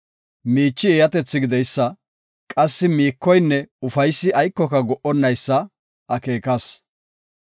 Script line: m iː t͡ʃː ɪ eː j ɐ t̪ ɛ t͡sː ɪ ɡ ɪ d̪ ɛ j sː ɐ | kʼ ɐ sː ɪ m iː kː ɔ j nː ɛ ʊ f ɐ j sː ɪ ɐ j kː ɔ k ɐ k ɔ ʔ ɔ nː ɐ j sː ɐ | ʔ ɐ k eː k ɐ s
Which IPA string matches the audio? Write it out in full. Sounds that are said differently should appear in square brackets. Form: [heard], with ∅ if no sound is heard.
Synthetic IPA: m iː t͡ʃː ɪ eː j ɐ t̪ ɛ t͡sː ɪ ɡ ɪ d̪ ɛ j sː ɐ | kʼ ɐ sː ɪ m iː kː ɔ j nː ɛ ʊ f ɐ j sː ɪ ɐ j kː ɔ k ɐ [ɡ] ɔ ʔ ɔ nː ɐ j sː ɐ | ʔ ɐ k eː k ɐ s

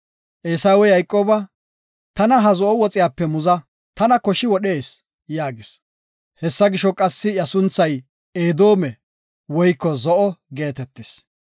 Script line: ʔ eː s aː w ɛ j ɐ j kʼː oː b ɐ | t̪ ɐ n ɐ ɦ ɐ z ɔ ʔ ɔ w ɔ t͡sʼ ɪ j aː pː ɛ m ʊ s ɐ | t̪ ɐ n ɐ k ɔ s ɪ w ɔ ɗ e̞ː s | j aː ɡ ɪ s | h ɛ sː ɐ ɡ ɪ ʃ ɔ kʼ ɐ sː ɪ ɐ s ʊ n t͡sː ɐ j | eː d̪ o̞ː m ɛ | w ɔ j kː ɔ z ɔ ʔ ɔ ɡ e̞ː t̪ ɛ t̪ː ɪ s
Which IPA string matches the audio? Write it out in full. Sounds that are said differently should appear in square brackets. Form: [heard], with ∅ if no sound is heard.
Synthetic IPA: ʔ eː s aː w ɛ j ɐ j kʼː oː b ɐ | t̪ ɐ n ɐ ɦ ɐ z ɔ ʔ ɔ w ɔ t͡sʼ ɪ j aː pː ɛ m ʊ [z] ɐ | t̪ ɐ n ɐ k ɔ [ʃ] ɪ w ɔ ɗ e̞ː s | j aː ɡ ɪ s | h ɛ sː ɐ ɡ ɪ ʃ ɔ kʼ ɐ sː ɪ ɐ s ʊ n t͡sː ɐ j | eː d̪ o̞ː m ɛ | w ɔ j kː ɔ z ɔ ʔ ɔ ɡ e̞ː t̪ ɛ t̪ː ɪ s

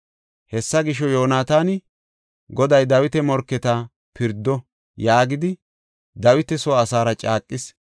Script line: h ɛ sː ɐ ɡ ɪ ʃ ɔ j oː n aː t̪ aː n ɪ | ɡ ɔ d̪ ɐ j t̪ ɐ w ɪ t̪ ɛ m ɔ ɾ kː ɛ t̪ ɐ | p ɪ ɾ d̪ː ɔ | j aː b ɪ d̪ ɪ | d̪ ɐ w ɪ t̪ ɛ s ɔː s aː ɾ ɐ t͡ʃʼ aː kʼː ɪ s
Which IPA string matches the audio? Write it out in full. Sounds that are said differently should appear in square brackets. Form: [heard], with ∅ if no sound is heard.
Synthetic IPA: h ɛ sː ɐ ɡ ɪ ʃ ɔ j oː n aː t̪ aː n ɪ | ɡ ɔ d̪ ɐ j [d̪] ɐ w ɪ t̪ ɛ m ɔ ɾ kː ɛ t̪ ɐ | p ɪ ɾ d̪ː ɔ | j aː [ɡ] ɪ d̪ ɪ | d̪ ɐ w ɪ t̪ ɛ s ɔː s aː ɾ ɐ t͡ʃʼ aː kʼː ɪ s

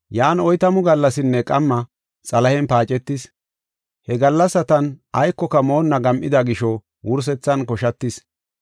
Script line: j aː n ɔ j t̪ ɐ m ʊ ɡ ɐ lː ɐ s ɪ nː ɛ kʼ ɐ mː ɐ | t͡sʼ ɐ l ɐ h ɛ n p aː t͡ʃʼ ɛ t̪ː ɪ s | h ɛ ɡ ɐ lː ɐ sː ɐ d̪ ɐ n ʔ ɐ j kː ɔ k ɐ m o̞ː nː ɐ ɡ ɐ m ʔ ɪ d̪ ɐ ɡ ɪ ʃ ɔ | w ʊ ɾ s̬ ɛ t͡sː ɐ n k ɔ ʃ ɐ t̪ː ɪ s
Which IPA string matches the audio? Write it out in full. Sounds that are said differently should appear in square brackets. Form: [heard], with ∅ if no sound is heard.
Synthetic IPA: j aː n ɔ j t̪ ɐ m ʊ ɡ ɐ lː ɐ s ɪ nː ɛ kʼ ɐ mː ɐ | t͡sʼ ɐ l ɐ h ɛ n p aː t͡ʃʼ ɛ t̪ː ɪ s | h ɛ ɡ ɐ lː ɐ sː ɐ [t̪] ɐ n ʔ ɐ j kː ɔ k ɐ m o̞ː nː ɐ ɡ ɐ m ʔ ɪ d̪ ɐ ɡ ɪ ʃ ɔ | w ʊ ɾ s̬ ɛ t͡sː ɐ n k ɔ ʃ ɐ t̪ː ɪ s

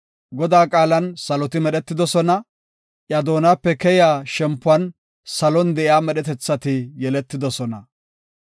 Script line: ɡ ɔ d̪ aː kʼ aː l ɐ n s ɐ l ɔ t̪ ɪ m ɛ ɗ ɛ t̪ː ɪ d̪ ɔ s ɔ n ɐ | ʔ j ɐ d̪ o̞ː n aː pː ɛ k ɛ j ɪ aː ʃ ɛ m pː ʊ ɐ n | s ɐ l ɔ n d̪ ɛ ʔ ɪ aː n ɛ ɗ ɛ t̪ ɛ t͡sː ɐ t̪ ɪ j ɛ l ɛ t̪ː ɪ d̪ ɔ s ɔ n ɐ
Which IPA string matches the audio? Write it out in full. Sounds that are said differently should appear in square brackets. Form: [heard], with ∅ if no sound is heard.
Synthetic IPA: ɡ ɔ d̪ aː kʼ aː l ɐ n s ɐ l ɔ t̪ ɪ m ɛ ɗ ɛ t̪ː ɪ d̪ ɔ s ɔ n ɐ | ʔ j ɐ d̪ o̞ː n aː pː ɛ k ɛ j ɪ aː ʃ ɛ m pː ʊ ɐ n | s ɐ l ɔ n d̪ ɛ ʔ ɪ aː [m] ɛ ɗ ɛ t̪ ɛ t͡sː ɐ t̪ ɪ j ɛ l ɛ t̪ː ɪ d̪ ɔ s ɔ n ɐ

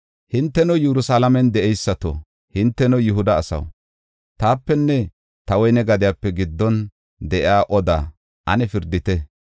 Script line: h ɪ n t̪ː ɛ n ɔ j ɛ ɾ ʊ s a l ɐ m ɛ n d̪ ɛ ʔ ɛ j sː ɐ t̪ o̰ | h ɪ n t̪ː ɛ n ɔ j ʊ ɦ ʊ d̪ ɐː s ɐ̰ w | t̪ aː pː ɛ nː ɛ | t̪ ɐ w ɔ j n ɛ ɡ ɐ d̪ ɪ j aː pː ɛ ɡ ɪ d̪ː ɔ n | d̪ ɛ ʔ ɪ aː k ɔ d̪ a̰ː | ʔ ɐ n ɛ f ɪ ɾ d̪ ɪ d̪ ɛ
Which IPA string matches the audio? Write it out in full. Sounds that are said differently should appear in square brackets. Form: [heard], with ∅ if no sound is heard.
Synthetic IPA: h ɪ n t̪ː ɛ n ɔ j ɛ ɾ ʊ s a l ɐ m ɛ n d̪ ɛ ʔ ɛ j sː ɐ t̪ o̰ | h ɪ n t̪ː ɛ n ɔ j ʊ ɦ ʊ d̪ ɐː s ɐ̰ w | t̪ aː pː ɛ nː ɛ | t̪ ɐ w ɔ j n ɛ ɡ ɐ d̪ ɪ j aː pː ɛ ɡ ɪ d̪ː ɔ n | d̪ ɛ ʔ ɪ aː [ʔ] ɔ d̪ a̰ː | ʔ ɐ n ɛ f ɪ ɾ d̪ ɪ [t̪] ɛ

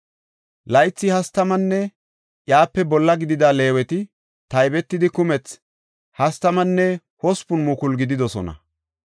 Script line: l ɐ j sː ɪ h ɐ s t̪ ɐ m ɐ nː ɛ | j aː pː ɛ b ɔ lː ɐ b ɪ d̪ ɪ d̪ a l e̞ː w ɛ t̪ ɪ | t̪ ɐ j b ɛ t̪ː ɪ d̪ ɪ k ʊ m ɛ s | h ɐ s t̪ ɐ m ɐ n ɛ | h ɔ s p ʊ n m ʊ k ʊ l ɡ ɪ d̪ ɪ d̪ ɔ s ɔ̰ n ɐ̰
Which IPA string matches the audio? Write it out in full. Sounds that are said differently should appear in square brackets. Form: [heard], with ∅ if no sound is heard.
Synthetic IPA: l ɐ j [t͡sː] ɪ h ɐ s t̪ ɐ m ɐ nː ɛ | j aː pː ɛ b ɔ lː ɐ [ɡ] ɪ d̪ ɪ d̪ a l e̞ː w ɛ t̪ ɪ | t̪ ɐ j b ɛ t̪ː ɪ d̪ ɪ k ʊ m ɛ [t͡s] | h ɐ s t̪ ɐ m ɐ [nː] ɛ | h ɔ s p ʊ n m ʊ k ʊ l ɡ ɪ d̪ ɪ d̪ ɔ s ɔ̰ n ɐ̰

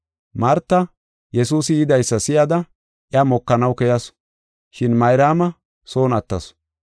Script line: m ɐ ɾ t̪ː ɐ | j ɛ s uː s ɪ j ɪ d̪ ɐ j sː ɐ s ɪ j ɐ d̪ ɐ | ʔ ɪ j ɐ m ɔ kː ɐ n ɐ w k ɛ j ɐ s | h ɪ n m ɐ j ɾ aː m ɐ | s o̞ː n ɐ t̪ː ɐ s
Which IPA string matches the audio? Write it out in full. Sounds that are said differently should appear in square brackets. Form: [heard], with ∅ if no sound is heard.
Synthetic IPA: m ɐ ɾ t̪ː ɐ | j ɛ s uː s ɪ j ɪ d̪ ɐ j sː ɐ s ɪ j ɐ d̪ ɐ | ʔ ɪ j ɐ m ɔ kː ɐ n ɐ w k ɛ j ɐ s | [ʃ] ɪ n m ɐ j ɾ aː m ɐ | s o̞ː n ɐ t̪ː ɐ s

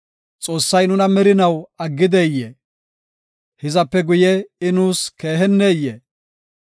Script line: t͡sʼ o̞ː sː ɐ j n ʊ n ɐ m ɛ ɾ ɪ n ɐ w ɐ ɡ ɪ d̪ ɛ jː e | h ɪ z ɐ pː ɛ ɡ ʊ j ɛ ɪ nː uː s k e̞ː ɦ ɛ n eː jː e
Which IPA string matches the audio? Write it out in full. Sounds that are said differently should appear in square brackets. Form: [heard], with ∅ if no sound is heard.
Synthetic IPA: t͡sʼ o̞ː sː ɐ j n ʊ n ɐ m ɛ ɾ ɪ n ɐ w ɐ [ɡː] ɪ d̪ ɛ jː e | h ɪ z ɐ pː ɛ ɡ ʊ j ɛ ɪ [n] uː s k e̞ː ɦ ɛ [nː] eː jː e

